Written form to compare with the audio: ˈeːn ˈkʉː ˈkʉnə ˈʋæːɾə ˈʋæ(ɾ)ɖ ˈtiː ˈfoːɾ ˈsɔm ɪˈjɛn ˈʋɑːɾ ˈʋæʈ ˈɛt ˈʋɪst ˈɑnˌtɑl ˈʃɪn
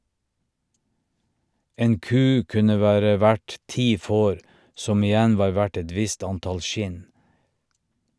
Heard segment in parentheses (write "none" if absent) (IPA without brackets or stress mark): none